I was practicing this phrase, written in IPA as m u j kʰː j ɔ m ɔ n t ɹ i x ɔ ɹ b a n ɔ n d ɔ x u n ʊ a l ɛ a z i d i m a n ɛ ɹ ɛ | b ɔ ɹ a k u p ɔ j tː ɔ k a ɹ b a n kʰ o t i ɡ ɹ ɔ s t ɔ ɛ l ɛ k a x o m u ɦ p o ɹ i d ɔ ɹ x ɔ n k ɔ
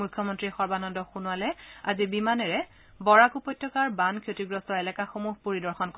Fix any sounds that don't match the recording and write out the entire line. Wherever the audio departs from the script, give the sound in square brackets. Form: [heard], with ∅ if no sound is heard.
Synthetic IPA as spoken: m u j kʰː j ɔ m ɔ n t ɹ i x ɔ ɹ b a n ɔ n d ɔ x u n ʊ a l ɛ a z i [b] i m a n ɛ ɹ ɛ | b ɔ ɹ a k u p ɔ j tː ɔ k a ɹ b a n kʰ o t i ɡ ɹ ɔ s t ɔ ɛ l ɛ k a x o m u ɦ p o ɹ i d ɔ ɹ x ɔ n k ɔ